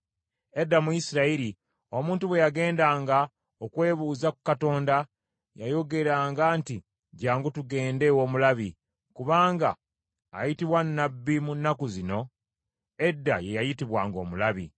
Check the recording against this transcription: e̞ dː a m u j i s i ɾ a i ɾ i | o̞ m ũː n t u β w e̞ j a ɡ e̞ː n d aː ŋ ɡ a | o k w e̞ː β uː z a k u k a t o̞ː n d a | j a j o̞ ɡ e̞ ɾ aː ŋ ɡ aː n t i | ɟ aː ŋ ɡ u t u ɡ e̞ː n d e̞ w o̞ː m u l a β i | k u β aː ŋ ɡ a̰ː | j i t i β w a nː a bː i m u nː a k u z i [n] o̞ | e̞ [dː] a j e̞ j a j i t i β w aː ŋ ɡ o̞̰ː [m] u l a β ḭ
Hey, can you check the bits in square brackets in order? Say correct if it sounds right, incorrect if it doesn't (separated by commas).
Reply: correct, correct, correct